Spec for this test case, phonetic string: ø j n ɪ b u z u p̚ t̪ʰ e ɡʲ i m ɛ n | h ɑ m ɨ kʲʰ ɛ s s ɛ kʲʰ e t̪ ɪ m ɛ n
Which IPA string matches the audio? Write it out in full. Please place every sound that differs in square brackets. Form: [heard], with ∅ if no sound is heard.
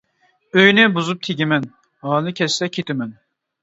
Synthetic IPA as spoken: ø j n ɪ b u z u p̚ t̪ʰ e ɡʲ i m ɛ n | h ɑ [n] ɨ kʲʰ ɛ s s ɛ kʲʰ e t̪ ɪ m ɛ n